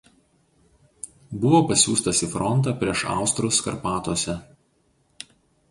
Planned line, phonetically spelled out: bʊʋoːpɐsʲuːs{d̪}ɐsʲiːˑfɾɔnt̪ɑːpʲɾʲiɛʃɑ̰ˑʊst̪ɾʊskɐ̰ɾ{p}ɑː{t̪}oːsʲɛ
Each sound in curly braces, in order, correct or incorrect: incorrect: t̪, correct, correct

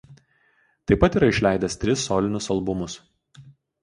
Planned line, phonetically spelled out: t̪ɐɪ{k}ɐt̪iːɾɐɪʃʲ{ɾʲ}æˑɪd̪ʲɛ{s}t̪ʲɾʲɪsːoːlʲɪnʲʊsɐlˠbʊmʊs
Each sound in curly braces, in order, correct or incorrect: incorrect: p, incorrect: lʲ, correct

